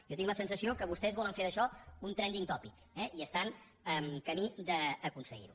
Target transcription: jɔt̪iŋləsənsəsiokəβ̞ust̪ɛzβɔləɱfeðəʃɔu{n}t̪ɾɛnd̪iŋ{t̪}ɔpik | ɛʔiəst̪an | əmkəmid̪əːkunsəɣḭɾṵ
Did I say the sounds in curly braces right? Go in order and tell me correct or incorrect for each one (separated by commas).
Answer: correct, correct